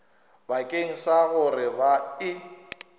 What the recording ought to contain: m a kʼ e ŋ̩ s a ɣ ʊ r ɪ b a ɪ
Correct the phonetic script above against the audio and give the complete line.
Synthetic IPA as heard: b a kʼ e ŋ̩ s a ɣ ʊ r ɪ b a ɪ